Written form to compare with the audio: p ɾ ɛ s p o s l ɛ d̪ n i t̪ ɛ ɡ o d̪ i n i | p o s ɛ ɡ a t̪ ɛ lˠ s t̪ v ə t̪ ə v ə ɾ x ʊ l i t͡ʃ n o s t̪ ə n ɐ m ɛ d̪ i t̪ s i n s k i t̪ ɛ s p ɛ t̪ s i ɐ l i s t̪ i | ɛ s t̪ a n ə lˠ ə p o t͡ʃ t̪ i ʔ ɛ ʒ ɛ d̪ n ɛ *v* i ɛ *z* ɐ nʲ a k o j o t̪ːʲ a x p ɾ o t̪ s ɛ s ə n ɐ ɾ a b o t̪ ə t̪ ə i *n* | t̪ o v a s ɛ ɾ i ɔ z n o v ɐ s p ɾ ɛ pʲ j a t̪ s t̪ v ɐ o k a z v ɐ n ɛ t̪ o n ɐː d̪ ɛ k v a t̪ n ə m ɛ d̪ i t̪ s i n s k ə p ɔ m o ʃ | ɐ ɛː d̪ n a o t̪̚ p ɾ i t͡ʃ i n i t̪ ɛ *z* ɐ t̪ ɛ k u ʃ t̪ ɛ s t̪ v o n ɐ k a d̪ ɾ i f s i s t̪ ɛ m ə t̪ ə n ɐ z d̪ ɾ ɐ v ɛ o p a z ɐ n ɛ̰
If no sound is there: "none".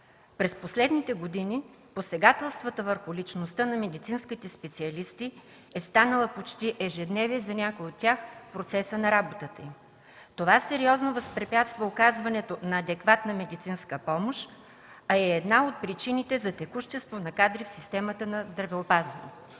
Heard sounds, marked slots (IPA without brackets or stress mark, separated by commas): v, z, m, z